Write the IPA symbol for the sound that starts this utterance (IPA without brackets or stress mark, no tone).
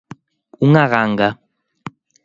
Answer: u